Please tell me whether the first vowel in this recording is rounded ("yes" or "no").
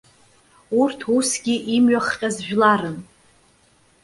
yes